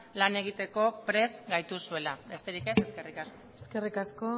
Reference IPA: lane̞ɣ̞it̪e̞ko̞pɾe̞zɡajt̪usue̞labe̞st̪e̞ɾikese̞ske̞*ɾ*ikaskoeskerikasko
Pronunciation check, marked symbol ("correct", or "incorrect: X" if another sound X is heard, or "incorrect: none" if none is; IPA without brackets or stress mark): incorrect: r